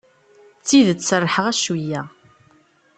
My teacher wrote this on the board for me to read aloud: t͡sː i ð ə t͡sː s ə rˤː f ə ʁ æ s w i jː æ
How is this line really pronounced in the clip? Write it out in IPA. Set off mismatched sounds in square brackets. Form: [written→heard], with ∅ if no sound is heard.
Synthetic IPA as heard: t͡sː i ð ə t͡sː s ə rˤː [f→ħ] ə ʁ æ [s→ʃ] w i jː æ